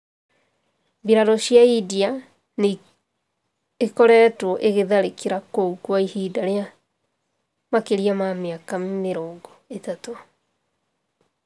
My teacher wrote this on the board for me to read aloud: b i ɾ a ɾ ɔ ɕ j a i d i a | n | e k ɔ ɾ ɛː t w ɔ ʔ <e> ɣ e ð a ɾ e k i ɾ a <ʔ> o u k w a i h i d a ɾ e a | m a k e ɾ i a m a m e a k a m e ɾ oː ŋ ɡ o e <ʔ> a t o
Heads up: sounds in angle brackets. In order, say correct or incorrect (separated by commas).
correct, incorrect, incorrect